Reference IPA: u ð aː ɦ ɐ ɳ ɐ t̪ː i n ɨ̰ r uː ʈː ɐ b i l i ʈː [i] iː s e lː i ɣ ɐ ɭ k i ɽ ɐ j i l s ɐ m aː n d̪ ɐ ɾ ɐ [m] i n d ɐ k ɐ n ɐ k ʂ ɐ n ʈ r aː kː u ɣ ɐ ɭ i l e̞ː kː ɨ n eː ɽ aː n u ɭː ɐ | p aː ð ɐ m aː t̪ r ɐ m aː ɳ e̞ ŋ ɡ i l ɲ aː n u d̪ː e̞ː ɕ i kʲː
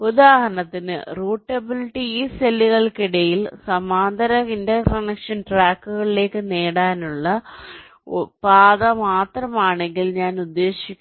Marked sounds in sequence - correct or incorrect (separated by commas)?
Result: correct, incorrect